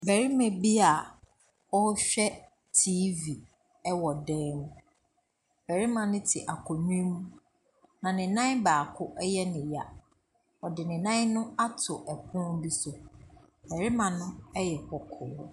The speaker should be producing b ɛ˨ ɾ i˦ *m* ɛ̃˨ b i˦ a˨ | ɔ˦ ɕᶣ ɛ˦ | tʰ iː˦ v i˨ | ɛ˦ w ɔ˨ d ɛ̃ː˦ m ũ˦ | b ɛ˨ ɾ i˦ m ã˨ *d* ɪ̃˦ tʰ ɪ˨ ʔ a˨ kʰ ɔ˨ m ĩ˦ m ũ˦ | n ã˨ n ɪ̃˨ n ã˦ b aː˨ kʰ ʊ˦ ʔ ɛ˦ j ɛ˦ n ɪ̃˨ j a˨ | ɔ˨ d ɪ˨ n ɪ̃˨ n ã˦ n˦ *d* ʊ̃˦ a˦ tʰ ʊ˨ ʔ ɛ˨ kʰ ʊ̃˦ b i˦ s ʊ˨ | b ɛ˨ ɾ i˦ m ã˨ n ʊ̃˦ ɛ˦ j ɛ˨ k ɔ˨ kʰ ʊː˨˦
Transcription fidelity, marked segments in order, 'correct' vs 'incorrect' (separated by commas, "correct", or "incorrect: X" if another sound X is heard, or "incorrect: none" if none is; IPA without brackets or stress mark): correct, incorrect: n, incorrect: n